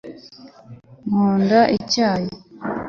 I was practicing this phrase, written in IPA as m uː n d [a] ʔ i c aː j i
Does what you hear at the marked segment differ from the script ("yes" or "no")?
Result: no